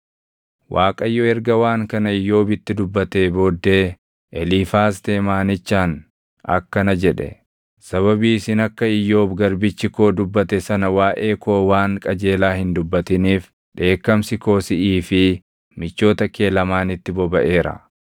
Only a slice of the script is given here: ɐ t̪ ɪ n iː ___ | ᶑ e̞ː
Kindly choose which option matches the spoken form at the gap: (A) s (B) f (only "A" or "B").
B